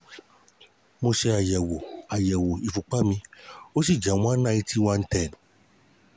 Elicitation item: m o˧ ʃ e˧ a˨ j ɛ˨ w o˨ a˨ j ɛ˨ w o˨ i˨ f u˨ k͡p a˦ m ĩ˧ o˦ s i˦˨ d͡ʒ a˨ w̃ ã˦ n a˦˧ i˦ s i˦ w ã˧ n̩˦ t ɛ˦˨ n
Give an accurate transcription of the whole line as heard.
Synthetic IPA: m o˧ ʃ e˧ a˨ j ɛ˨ w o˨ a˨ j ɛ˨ w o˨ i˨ f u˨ k͡p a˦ m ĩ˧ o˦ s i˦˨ d͡ʒ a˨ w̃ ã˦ n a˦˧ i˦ t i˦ w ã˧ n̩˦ t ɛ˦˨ n